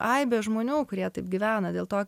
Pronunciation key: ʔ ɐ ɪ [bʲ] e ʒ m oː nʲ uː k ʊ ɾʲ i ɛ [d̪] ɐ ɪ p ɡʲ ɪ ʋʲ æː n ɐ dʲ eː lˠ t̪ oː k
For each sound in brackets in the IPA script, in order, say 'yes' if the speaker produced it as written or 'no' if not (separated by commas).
yes, no